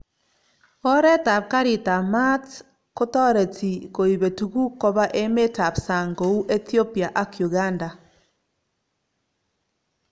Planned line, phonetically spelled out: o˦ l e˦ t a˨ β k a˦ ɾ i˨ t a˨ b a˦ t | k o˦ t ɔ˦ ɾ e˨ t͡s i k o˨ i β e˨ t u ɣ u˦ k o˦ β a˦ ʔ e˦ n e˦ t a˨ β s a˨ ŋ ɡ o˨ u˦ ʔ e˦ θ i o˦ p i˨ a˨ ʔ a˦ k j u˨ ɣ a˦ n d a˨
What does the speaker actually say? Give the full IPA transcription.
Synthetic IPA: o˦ ɾ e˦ t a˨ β k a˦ ɾ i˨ t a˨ m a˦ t | k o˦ t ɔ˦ ɾ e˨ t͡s i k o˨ i β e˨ t u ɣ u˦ k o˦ β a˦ ʔ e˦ m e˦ t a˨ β s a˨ ŋ ɡ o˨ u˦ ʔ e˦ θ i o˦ p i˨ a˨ ʔ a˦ k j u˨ ɣ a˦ n d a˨